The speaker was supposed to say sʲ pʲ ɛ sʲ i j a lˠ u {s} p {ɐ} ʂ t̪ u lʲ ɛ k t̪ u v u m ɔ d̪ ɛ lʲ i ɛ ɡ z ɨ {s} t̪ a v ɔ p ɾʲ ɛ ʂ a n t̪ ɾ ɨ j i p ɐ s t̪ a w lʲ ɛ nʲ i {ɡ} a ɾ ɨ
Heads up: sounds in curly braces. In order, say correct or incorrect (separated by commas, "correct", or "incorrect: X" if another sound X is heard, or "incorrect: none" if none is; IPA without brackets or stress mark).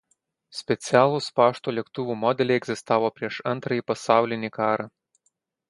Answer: correct, incorrect: a, correct, incorrect: k